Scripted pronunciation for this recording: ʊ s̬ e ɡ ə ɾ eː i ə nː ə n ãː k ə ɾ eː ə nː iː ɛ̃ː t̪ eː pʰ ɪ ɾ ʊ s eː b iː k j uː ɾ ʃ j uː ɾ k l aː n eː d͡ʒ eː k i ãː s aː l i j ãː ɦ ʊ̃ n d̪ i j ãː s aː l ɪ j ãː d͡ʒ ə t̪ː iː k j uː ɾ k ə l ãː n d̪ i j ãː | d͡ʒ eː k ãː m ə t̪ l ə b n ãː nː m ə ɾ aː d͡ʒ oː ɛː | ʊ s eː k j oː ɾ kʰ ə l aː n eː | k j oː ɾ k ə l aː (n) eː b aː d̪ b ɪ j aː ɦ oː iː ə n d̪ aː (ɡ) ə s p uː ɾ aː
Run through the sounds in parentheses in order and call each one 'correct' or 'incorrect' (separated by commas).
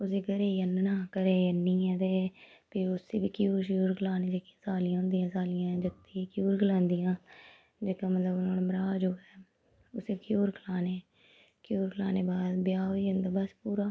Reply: correct, incorrect